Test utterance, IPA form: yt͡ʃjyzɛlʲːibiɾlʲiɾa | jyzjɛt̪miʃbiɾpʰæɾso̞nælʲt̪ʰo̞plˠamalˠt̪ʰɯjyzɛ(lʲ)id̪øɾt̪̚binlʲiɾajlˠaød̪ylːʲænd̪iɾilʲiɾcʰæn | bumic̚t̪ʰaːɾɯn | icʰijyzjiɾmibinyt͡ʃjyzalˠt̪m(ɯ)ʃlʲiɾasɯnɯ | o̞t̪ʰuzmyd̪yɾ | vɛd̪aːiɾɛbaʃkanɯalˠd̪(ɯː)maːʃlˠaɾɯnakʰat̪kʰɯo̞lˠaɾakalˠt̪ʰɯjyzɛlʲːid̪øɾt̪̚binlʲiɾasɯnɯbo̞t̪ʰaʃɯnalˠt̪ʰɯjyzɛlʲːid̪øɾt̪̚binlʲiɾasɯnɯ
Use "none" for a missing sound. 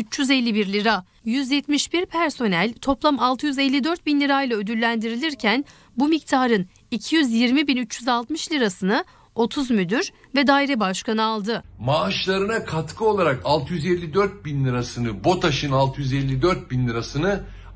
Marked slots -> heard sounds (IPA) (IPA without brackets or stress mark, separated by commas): lʲː, ɯ, ɯ